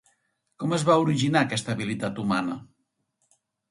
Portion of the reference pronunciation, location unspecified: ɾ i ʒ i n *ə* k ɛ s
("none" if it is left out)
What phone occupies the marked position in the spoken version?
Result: a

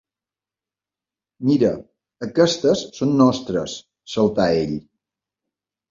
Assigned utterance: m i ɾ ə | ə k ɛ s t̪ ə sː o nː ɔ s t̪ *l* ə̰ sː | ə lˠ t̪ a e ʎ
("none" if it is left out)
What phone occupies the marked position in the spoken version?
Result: ɾ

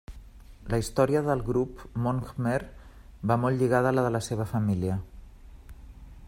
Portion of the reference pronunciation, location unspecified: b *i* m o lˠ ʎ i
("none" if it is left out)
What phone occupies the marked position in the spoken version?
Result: a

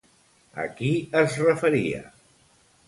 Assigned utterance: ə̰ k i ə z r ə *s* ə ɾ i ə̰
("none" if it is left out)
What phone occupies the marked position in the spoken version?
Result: f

